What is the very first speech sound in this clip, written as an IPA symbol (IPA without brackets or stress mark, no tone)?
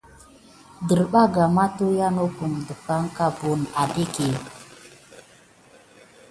d